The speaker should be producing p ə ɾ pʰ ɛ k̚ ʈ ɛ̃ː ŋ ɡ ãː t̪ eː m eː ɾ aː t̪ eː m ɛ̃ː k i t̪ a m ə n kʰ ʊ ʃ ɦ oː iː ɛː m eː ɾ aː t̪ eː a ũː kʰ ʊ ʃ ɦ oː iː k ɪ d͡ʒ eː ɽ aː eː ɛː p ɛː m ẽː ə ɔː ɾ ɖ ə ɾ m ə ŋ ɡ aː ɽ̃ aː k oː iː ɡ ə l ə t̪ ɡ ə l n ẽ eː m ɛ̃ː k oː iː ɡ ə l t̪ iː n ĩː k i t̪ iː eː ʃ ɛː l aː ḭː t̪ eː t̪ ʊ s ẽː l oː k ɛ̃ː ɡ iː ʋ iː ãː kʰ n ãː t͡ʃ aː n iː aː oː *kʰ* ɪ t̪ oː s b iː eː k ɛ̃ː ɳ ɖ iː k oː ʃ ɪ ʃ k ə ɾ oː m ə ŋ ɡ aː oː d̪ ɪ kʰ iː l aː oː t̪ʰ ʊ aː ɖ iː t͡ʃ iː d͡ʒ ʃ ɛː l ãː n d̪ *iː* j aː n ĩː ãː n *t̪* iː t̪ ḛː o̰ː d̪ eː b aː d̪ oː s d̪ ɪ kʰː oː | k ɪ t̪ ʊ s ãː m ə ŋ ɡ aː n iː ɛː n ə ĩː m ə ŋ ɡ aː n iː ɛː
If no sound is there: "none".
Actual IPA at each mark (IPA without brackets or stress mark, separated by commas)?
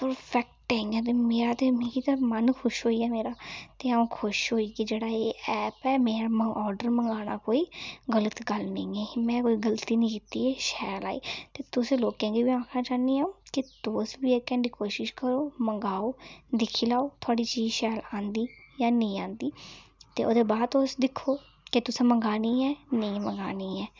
k, iː, d̪